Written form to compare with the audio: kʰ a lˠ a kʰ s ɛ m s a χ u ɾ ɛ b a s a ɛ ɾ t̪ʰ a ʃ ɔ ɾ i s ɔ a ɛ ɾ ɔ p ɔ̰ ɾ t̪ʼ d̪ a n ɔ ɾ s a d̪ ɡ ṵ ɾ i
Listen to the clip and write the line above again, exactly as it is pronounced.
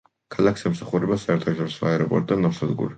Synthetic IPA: kʰ a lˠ a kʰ s ɛ m s a χ u ɾ ɛ b a s a ɛ ɾ t̪ʰ a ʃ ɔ ɾ i s ɔ a ɛ ɾ ɔ pʼ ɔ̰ ɾ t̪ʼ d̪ a n ɔ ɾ s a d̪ ɡ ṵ ɾ i